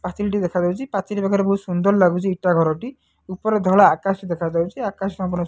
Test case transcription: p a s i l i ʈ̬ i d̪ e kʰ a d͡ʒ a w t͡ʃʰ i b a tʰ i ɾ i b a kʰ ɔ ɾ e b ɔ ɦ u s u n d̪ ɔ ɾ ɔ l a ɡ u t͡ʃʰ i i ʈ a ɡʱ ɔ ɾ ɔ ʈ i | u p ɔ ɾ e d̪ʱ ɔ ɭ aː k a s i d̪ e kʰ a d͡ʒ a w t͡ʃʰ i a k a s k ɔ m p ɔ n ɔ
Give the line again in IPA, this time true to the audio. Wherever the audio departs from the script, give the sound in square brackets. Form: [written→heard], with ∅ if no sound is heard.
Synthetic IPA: p a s i l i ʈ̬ i d̪ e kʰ a d͡ʒ a w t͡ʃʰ i [b→p] a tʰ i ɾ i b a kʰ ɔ ɾ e b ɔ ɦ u s u n d̪ ɔ ɾ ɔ l a ɡ u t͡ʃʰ i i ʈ a ɡʱ ɔ ɾ ɔ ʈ i | u p ɔ ɾ e d̪ʱ ɔ ɭ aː k a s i d̪ e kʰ a d͡ʒ a w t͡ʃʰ i a k a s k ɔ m p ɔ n ɔ